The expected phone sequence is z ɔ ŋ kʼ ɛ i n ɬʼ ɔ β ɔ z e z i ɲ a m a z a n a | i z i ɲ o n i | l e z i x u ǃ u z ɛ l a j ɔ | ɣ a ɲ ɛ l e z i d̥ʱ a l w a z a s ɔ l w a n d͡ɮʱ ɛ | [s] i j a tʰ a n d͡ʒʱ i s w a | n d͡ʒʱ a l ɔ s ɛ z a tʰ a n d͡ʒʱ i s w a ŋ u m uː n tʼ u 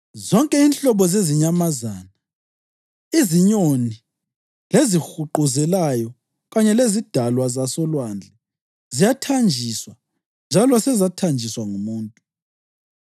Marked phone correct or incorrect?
incorrect